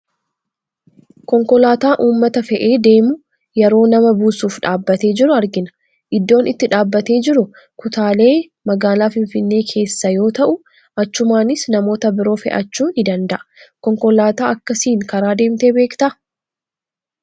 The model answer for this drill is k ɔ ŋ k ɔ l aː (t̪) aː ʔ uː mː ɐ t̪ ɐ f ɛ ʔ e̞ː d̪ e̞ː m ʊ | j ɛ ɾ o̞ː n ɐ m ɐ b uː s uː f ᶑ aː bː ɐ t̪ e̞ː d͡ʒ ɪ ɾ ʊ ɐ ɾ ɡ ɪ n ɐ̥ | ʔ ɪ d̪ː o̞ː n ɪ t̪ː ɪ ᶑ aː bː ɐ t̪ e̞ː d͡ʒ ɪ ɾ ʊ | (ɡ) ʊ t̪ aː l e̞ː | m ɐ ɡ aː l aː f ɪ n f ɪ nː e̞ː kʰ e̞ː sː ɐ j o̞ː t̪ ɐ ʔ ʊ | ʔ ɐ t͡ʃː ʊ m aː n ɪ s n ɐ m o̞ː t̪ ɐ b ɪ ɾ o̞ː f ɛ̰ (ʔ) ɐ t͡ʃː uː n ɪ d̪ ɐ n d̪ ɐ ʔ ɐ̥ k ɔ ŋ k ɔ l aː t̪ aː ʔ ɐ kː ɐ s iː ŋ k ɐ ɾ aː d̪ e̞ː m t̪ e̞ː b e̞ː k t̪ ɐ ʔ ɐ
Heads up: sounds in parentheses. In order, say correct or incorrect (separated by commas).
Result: correct, incorrect, correct